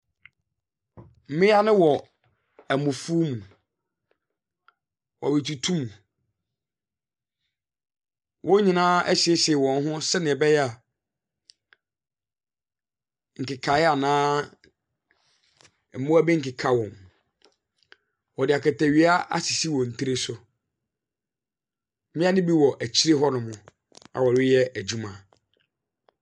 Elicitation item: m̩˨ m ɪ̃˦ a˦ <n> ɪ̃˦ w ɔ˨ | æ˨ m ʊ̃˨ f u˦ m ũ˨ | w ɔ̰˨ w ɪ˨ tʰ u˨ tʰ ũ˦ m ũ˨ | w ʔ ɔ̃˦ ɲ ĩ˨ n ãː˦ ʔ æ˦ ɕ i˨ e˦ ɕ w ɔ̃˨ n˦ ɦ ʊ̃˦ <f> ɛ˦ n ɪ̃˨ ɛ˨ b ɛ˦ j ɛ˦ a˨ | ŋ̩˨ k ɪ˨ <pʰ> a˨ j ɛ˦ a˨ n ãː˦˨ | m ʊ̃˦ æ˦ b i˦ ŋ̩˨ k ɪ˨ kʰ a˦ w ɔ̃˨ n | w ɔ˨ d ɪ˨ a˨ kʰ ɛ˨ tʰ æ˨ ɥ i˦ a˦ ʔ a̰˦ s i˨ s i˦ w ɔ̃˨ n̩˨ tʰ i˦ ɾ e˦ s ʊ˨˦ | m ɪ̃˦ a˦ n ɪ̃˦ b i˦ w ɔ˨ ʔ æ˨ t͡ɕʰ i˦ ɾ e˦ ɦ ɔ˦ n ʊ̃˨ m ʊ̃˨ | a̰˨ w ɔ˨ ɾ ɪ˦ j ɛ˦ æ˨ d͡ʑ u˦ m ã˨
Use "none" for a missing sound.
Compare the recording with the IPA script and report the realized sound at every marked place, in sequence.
n, s, kʰ

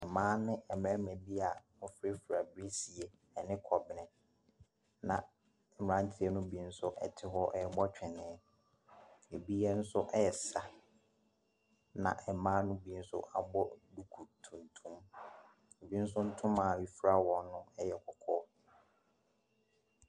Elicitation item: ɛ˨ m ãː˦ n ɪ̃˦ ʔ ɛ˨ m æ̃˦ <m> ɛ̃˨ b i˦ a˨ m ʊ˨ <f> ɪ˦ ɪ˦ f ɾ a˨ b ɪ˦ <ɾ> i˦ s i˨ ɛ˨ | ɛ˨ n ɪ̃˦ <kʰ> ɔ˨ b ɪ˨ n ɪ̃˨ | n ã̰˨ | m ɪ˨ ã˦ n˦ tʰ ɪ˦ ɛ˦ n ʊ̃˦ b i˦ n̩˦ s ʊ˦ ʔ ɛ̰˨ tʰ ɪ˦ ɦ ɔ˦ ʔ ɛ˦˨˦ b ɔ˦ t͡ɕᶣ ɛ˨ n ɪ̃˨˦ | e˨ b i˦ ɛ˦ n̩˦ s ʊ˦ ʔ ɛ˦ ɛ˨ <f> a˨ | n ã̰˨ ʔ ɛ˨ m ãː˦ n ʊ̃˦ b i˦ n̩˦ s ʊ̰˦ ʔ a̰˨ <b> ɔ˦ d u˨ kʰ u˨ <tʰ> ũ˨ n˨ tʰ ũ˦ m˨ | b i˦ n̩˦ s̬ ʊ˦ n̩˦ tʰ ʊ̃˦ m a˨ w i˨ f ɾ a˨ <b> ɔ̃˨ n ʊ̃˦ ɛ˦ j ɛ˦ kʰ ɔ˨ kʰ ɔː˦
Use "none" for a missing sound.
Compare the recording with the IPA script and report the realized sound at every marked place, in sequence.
m, f, ɾ, kʰ, s, b, tʰ, w

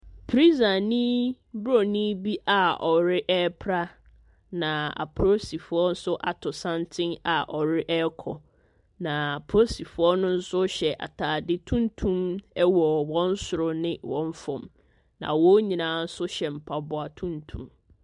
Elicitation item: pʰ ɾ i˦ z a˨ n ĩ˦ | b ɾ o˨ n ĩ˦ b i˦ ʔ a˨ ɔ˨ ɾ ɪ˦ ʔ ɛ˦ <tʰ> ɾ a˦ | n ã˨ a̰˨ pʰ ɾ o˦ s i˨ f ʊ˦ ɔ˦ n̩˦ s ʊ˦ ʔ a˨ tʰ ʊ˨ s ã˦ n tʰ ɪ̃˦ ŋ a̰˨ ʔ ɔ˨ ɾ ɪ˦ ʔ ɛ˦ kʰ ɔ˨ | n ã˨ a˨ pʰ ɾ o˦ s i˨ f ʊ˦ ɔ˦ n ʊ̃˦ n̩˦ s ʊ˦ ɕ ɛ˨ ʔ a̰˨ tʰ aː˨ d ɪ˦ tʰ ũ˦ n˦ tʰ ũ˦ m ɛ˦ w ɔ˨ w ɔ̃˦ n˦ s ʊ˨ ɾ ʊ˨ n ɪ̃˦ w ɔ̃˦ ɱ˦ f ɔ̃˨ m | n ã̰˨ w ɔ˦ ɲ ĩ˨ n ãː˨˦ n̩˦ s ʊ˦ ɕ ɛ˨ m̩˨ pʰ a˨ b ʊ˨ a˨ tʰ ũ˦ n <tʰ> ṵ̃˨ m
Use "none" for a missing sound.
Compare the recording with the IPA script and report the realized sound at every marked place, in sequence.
pʰ, tʰ

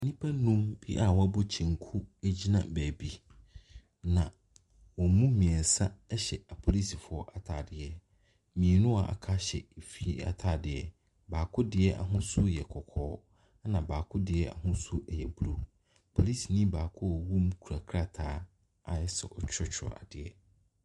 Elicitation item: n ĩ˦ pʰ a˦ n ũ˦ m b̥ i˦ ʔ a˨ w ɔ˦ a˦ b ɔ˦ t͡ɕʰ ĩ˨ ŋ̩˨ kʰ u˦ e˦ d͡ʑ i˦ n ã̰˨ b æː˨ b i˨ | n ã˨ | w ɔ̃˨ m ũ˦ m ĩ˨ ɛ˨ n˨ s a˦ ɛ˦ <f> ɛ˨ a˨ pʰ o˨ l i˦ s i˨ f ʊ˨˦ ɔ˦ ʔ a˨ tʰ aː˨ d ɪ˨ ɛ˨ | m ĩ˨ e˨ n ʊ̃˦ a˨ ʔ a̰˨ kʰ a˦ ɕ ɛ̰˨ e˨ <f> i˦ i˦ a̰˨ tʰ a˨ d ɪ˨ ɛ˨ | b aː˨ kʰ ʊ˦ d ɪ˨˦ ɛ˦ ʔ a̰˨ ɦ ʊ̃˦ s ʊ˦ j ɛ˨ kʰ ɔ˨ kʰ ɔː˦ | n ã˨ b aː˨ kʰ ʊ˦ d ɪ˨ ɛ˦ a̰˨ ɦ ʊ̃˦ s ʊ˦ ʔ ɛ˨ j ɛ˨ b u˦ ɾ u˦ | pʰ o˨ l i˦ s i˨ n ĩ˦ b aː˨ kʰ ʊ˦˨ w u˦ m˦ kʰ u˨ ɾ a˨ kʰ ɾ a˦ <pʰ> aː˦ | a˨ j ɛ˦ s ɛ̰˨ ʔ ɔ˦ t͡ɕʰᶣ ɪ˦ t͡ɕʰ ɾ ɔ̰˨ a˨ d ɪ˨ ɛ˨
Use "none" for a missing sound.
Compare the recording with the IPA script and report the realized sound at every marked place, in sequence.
ɕ, f, tʰ

